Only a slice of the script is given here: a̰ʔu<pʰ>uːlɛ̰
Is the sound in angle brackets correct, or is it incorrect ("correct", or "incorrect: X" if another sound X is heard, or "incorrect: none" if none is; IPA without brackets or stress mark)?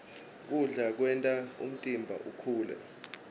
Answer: incorrect: kʰ